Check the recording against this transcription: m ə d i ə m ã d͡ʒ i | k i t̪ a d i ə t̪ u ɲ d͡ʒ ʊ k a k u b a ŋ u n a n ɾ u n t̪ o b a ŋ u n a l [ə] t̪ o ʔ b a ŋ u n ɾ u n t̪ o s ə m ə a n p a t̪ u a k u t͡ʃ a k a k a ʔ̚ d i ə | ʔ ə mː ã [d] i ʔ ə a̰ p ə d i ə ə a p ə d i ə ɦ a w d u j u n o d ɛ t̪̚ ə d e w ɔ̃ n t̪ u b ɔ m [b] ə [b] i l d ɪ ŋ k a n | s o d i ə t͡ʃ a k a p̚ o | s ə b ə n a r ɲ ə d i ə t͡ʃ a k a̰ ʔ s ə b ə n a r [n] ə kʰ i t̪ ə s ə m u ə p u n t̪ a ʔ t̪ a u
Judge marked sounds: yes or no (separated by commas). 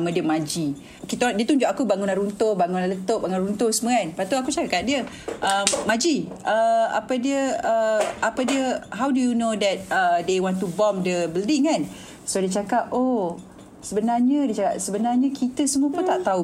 yes, no, no, yes, no